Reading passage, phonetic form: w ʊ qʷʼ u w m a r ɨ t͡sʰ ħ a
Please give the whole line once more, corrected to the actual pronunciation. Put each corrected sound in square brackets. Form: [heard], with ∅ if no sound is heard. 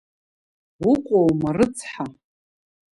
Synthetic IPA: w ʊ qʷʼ [o] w m a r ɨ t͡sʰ ħ a